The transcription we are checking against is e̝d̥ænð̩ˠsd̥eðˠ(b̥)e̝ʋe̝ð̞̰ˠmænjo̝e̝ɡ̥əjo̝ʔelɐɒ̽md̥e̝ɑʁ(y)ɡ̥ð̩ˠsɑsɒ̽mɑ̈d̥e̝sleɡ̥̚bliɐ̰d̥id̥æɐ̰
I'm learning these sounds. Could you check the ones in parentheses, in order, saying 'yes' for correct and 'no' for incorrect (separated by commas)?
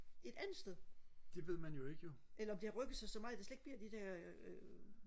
no, no